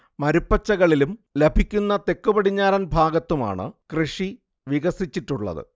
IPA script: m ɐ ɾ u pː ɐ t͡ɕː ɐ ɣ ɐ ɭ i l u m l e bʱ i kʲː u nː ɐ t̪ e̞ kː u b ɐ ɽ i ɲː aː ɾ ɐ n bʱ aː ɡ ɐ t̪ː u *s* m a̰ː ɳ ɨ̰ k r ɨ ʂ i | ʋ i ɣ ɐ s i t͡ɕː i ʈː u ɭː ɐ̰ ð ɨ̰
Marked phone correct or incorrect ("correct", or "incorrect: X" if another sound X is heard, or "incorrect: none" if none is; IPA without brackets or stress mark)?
incorrect: none